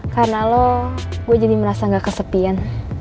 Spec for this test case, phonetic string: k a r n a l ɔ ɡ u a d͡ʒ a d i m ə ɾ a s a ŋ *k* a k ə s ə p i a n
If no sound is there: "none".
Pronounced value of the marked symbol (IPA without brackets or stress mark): ɡ